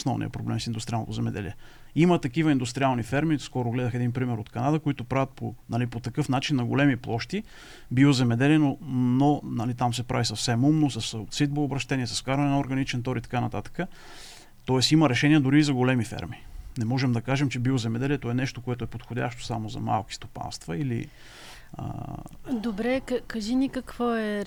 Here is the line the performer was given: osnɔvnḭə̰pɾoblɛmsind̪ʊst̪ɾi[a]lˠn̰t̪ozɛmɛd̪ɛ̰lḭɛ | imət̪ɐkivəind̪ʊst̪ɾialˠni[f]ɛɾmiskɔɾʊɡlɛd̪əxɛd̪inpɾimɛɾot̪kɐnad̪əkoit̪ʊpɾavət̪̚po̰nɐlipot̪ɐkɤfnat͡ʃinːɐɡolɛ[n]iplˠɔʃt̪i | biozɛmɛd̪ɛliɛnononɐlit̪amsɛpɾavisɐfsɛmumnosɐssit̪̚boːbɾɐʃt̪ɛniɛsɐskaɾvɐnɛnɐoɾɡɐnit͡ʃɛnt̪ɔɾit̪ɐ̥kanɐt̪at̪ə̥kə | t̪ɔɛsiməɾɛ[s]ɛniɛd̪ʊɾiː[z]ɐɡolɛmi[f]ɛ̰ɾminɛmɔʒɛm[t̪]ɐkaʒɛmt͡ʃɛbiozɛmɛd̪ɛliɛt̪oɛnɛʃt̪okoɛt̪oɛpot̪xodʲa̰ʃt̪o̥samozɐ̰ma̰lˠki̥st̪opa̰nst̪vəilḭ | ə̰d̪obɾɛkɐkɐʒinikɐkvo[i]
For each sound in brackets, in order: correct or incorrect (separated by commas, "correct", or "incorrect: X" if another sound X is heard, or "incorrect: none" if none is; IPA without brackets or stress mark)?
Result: correct, correct, incorrect: m, incorrect: ʃ, correct, correct, incorrect: d̪, incorrect: ɛ